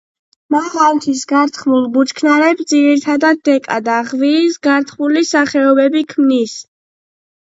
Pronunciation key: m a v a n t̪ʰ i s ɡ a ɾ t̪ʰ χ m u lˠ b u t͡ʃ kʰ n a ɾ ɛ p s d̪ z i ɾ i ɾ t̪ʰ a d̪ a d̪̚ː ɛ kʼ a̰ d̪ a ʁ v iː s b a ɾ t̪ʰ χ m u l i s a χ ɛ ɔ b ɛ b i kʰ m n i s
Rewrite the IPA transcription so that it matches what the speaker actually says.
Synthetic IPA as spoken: m a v a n t̪ʰ i s ɡ a ɾ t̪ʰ χ m u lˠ b u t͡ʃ kʰ n a ɾ ɛ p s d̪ z i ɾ i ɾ t̪ʰ a d̪ a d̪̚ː ɛ kʼ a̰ d̪ a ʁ v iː s ɡ a ɾ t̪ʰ χ m u l i s a χ ɛ ɔ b ɛ b i kʰ m n i s